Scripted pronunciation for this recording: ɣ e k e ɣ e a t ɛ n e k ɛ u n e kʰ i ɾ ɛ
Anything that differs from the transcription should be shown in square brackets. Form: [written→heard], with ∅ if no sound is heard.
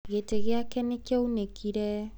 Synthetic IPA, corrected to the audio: ɣ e [k→t] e ɣ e a [t→k] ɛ n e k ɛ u n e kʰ i ɾ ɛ